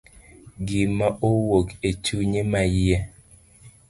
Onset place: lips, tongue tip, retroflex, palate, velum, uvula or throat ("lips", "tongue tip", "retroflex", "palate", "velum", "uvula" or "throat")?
velum